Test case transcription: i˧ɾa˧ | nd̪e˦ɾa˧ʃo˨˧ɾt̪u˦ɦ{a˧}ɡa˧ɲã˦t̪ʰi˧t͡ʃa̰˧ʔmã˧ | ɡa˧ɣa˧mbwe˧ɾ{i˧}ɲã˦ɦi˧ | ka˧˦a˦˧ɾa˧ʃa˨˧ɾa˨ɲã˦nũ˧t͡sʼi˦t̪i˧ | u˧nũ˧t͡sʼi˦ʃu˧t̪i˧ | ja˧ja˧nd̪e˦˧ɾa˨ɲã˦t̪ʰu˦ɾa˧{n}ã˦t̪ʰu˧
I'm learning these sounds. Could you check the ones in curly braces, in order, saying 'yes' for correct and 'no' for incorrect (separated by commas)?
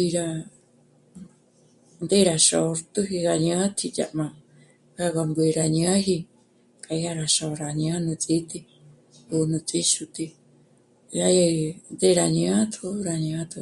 no, no, no